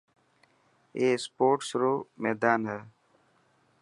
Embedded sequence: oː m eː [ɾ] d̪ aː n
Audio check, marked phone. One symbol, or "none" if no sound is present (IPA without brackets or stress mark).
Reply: none